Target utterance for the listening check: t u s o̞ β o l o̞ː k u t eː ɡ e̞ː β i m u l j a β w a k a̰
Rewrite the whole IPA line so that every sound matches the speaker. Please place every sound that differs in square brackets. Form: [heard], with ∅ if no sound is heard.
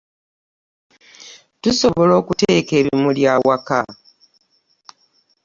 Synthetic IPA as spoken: t u s o̞ β o l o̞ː k u t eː [k] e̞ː β i m u l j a [∅] w a k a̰